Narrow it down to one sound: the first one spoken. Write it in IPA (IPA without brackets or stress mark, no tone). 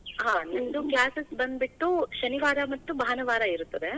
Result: ɦ